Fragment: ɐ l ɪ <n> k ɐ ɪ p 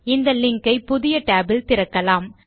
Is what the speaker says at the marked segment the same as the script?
no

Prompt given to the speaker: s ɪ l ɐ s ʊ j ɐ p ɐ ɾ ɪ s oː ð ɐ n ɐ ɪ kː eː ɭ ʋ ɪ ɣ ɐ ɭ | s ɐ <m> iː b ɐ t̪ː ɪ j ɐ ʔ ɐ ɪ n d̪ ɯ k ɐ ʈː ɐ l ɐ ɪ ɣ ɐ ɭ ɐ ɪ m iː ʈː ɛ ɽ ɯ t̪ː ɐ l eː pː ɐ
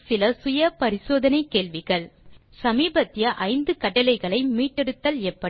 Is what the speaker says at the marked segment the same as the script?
yes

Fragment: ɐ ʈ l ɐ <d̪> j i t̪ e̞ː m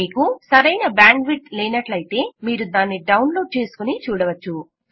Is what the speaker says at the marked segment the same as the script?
no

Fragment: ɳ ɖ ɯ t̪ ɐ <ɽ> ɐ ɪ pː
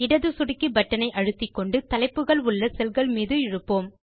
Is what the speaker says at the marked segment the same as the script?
no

